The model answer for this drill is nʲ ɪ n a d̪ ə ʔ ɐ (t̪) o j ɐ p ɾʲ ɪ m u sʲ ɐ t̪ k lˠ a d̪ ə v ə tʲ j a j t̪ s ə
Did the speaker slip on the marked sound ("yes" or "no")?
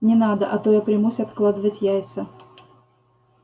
no